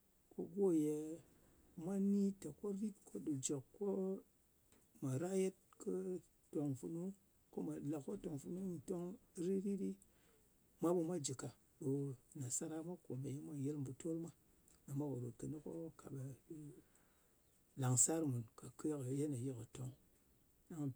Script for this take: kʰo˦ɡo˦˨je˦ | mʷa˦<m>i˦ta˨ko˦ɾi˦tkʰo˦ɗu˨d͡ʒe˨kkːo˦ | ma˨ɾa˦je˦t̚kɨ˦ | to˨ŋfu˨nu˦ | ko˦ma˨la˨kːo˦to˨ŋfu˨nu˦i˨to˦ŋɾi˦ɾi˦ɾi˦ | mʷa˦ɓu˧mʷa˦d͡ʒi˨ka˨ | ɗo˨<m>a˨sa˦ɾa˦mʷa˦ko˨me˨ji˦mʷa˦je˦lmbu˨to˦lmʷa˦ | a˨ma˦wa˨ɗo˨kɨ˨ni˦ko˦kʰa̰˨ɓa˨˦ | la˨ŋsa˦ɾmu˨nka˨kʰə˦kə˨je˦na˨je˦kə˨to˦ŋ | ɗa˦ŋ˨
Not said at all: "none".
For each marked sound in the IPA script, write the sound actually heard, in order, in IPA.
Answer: n, n

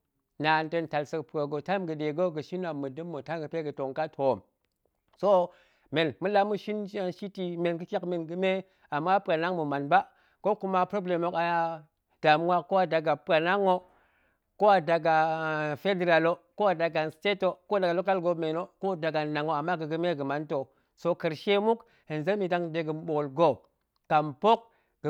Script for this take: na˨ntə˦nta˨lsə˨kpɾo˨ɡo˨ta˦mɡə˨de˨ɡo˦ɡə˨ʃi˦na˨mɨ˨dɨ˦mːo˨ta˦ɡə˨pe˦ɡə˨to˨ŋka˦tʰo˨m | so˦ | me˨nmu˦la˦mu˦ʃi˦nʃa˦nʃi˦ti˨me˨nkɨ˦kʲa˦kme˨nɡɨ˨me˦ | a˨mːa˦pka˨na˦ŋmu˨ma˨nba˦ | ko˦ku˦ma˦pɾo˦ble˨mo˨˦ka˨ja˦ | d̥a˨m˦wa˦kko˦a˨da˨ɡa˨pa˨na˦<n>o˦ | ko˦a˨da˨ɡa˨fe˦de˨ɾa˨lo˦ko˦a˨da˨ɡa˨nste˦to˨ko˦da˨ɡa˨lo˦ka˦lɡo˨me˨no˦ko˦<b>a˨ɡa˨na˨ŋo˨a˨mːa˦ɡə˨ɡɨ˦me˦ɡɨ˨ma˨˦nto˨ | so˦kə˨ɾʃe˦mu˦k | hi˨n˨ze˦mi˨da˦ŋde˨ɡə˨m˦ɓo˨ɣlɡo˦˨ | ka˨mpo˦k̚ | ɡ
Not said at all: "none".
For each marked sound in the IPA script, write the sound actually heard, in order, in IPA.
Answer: ŋ, d

